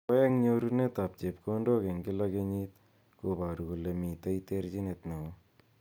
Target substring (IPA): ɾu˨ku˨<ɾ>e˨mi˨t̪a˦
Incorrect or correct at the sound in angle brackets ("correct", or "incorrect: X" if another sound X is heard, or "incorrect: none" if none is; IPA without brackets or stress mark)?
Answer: incorrect: l